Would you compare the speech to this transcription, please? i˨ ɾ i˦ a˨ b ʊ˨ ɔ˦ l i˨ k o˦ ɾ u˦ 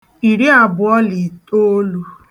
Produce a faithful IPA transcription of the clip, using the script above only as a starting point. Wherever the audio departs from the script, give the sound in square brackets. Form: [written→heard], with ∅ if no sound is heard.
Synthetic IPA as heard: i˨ ɾ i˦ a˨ b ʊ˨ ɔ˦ l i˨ [k→t] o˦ [ɾ→l] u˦